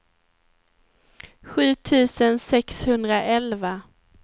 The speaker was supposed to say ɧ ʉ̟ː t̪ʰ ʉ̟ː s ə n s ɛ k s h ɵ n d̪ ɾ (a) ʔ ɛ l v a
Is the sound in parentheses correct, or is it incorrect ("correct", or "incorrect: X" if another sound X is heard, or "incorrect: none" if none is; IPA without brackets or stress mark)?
correct